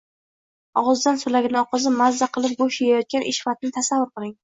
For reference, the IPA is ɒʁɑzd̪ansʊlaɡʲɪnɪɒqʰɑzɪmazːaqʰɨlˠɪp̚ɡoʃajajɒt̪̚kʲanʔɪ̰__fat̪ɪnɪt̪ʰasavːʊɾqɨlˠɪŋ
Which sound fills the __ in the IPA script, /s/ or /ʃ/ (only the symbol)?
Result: ʃ